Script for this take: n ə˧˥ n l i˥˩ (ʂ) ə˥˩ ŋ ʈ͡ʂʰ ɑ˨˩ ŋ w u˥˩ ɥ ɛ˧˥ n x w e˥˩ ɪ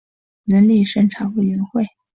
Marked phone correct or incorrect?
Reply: correct